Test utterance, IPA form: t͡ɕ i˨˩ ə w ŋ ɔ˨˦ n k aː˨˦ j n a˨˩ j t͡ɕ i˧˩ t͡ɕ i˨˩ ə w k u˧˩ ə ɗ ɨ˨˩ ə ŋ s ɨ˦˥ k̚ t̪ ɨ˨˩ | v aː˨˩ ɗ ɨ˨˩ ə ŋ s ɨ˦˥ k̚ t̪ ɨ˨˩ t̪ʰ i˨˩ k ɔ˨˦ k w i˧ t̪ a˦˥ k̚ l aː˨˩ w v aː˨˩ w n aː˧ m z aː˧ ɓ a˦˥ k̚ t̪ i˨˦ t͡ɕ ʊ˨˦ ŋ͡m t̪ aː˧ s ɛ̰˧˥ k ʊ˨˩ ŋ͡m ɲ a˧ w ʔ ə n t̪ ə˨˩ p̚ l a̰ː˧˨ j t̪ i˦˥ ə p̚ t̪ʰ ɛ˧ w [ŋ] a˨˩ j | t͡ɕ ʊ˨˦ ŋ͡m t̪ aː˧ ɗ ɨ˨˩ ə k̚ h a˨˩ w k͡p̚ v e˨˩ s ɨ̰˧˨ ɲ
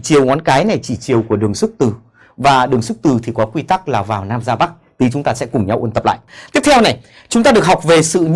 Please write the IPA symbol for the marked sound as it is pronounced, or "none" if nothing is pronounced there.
n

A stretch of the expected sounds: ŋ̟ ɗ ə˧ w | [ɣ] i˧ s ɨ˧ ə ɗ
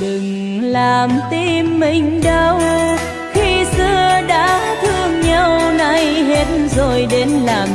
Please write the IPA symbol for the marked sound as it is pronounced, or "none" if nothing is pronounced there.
x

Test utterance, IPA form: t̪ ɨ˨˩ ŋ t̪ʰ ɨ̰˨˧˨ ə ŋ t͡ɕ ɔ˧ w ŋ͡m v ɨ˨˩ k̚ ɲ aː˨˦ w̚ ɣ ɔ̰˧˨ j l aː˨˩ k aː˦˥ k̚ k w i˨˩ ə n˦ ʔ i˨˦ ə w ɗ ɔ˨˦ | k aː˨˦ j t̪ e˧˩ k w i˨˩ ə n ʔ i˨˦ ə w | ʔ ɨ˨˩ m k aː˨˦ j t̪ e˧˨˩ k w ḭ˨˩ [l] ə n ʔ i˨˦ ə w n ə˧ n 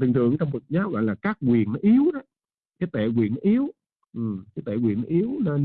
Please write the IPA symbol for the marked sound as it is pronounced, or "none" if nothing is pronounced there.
none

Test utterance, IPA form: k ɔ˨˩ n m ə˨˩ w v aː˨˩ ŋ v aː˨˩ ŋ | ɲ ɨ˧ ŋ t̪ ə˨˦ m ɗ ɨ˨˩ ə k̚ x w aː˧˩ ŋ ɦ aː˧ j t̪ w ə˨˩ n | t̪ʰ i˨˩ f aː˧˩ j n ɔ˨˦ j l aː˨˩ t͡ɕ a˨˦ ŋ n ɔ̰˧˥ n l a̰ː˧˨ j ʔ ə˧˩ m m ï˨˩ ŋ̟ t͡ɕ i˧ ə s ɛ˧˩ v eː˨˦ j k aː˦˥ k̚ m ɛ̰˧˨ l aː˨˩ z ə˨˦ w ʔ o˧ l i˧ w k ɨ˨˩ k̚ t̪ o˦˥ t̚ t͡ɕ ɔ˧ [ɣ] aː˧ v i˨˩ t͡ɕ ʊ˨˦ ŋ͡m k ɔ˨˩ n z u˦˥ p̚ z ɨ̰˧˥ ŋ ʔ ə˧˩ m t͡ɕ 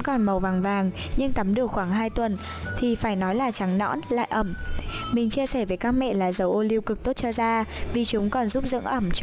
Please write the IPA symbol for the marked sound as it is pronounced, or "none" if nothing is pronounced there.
z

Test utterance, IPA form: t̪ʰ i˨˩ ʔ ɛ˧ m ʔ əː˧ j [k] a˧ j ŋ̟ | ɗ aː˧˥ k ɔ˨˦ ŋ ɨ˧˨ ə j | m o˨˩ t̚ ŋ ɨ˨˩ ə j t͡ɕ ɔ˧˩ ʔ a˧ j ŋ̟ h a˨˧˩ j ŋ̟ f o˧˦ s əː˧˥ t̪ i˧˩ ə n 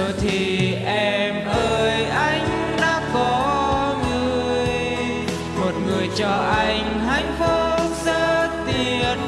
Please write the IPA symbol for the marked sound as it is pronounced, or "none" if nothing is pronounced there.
ʔ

